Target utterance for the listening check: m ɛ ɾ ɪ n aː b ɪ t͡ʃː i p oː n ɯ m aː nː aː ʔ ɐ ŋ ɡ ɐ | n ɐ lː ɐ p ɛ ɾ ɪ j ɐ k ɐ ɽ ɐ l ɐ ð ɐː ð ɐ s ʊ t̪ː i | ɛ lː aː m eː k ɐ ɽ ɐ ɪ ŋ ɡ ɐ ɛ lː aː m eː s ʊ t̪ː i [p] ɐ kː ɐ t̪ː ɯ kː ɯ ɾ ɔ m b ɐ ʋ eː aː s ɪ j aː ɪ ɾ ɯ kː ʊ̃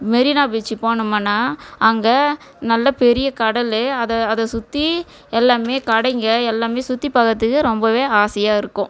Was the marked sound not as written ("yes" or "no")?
no